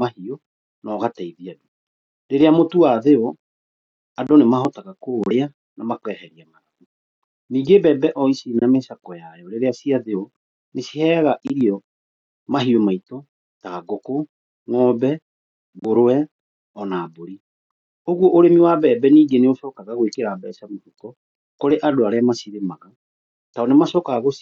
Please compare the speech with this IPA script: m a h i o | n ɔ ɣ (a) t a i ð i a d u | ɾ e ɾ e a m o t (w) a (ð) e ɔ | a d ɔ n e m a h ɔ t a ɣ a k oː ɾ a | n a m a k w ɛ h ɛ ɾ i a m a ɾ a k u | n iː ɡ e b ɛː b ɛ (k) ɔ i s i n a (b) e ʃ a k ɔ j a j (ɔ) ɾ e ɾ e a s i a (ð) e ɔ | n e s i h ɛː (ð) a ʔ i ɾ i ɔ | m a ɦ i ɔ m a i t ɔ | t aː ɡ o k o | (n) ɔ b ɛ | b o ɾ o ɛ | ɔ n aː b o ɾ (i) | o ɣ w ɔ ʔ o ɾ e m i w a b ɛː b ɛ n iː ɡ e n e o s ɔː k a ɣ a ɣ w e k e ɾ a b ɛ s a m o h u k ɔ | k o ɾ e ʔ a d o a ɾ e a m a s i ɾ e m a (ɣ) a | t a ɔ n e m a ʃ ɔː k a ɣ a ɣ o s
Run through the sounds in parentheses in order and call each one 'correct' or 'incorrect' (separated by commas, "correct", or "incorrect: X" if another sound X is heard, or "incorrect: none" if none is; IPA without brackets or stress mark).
correct, incorrect: u, correct, incorrect: ʔ, incorrect: m, correct, correct, incorrect: ɣ, incorrect: ŋ, correct, correct